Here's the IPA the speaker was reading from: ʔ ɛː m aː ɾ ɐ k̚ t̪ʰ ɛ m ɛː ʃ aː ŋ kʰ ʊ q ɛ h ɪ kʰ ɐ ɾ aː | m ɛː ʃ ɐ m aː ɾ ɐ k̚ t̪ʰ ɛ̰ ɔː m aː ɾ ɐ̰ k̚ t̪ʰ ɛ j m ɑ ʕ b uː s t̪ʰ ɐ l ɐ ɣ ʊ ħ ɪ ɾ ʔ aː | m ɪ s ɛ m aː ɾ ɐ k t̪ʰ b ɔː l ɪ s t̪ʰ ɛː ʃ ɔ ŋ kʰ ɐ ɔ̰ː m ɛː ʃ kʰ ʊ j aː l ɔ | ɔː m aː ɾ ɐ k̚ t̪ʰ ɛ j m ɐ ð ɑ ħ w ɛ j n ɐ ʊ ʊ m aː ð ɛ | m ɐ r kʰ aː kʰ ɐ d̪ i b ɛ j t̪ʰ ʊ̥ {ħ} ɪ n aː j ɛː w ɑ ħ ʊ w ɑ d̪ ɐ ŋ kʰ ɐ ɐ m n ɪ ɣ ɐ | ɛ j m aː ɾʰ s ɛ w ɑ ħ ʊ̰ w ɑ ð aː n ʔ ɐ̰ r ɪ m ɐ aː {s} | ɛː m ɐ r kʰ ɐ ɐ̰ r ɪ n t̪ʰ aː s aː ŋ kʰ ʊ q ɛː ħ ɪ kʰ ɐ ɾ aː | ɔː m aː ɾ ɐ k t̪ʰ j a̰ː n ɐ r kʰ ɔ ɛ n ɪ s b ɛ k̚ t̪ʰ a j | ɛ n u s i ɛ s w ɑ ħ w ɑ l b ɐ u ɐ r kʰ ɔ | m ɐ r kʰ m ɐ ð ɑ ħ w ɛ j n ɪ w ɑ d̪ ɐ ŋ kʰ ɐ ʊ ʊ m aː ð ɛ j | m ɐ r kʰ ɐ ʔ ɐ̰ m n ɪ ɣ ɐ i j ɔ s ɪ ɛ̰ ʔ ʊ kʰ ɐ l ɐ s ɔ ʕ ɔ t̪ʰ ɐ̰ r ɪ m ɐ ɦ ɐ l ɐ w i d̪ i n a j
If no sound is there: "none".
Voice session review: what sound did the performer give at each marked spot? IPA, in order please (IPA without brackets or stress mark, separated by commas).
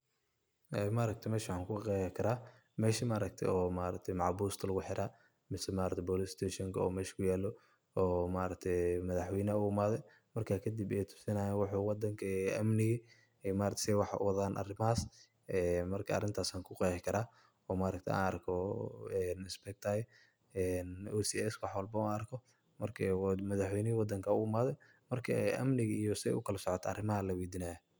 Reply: s, s